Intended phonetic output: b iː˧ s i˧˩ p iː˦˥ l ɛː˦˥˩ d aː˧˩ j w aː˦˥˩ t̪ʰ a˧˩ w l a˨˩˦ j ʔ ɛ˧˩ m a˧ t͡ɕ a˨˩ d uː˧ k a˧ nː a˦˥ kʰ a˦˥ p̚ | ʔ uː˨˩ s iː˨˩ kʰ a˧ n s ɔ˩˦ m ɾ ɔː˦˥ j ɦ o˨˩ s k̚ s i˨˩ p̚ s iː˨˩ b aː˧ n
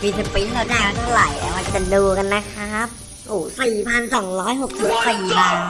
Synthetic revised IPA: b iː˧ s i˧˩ p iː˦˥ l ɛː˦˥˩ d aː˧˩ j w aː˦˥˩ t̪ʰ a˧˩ w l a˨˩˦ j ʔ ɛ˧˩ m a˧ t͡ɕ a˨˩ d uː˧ k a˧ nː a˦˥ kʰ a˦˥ p̚ | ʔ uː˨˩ s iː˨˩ pʰ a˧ n s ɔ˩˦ ŋ ɾ ɔː˦˥ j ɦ o˨˩ k̚ s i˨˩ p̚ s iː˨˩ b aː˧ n